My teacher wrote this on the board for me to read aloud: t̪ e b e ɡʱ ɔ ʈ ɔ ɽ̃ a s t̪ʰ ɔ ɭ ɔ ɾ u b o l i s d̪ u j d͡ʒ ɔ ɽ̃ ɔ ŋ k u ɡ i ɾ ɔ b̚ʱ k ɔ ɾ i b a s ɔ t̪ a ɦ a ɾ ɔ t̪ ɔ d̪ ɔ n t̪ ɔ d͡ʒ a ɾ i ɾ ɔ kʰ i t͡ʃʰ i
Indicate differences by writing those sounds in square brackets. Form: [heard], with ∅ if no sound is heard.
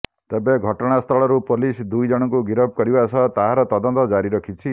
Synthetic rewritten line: t̪ e b e ɡʱ ɔ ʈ ɔ ɽ̃ a s t̪ʰ ɔ ɭ ɔ ɾ u [p] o l i s d̪ u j d͡ʒ ɔ ɽ̃ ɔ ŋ k u ɡ i ɾ ɔ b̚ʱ k ɔ ɾ i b a s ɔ t̪ a ɦ a ɾ ɔ t̪ ɔ d̪ ɔ n t̪ ɔ d͡ʒ a ɾ i ɾ ɔ kʰ i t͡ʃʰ i